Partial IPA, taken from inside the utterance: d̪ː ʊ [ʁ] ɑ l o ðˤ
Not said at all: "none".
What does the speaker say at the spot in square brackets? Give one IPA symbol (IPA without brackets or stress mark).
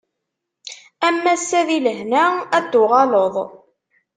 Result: ʁ